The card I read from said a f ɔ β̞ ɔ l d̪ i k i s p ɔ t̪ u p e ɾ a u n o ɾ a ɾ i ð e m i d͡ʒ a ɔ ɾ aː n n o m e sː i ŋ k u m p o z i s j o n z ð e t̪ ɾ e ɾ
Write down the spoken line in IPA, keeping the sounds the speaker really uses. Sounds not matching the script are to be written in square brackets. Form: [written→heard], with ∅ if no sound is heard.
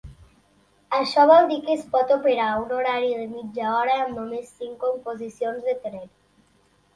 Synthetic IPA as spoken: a [f→ʃ] ɔ β̞ ɔ l d̪ i k [i→e] s p ɔ t̪ [u→o] p e ɾ a u n o ɾ a ɾ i ð e m i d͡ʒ a ɔ ɾ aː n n o m e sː i ŋ k [u→o] m p o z i s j o n z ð e t̪ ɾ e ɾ